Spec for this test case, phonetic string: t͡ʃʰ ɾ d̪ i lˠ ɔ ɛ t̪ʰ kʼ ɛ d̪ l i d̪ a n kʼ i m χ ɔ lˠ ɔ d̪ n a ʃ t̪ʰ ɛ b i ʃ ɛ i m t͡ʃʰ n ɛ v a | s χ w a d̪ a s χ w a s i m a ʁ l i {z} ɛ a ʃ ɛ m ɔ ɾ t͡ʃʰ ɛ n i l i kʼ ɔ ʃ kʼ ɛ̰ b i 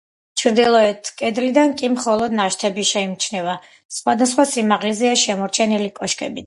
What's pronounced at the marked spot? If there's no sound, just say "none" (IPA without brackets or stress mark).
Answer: z